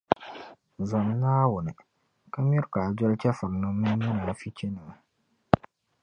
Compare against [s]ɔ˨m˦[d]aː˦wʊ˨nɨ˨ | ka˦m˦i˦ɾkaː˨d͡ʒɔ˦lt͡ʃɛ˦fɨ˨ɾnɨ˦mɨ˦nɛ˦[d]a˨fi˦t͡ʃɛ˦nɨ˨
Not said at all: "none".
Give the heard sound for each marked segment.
z, n, n

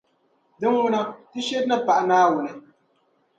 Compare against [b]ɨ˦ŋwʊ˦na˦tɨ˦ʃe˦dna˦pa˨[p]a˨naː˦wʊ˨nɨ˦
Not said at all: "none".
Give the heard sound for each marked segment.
d, ʔ

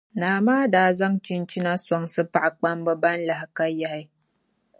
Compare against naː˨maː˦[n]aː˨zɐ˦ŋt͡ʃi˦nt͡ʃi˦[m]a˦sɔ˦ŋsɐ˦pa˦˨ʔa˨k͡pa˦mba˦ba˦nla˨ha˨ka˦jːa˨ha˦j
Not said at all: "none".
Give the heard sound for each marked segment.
d, n

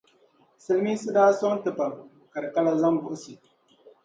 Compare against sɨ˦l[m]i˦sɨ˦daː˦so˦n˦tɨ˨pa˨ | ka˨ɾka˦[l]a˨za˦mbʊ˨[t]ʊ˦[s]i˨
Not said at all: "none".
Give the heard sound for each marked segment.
m, l, ʔ, s

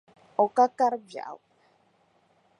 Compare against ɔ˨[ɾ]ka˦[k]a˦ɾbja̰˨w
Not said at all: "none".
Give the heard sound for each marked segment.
none, k

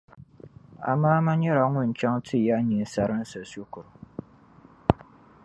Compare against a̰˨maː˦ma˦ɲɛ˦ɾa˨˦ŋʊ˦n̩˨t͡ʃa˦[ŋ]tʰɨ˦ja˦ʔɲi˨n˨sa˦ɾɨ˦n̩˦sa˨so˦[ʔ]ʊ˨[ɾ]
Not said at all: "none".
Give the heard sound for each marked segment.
ŋ, k, ɾ

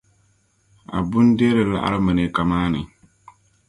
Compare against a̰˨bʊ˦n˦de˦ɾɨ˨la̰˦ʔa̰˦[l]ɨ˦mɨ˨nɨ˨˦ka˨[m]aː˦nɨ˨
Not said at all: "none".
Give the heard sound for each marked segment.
ɾ, m

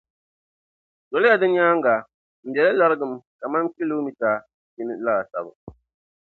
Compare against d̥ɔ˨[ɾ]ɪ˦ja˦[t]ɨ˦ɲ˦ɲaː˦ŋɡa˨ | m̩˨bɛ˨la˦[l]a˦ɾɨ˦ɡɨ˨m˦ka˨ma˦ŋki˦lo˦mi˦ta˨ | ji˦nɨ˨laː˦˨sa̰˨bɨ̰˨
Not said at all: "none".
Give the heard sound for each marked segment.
l, d, l

